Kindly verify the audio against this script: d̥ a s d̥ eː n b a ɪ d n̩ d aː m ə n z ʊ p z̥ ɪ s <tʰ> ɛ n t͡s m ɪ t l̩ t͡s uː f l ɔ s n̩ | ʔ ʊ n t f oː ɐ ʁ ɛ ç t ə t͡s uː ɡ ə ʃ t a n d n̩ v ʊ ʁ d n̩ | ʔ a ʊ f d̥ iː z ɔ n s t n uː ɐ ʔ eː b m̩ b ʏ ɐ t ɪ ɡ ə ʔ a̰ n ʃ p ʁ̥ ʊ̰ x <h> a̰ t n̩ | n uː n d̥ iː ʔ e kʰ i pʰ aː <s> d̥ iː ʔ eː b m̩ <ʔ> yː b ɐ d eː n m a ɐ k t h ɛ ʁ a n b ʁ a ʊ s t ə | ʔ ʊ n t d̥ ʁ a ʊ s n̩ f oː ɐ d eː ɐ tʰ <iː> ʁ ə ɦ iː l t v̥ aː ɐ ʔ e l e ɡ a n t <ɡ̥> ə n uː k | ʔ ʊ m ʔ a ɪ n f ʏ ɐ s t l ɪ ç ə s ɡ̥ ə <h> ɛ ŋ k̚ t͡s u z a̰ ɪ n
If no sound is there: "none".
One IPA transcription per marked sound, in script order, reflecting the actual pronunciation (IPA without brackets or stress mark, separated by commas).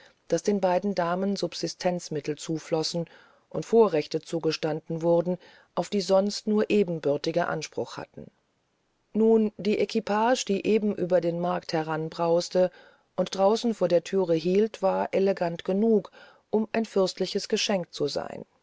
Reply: tʰ, h, ʃ, ʔ, yː, ɡ̥, ʃ